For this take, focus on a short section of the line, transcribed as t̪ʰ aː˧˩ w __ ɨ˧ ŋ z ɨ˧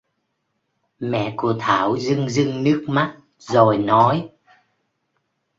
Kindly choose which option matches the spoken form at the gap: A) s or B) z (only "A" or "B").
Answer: B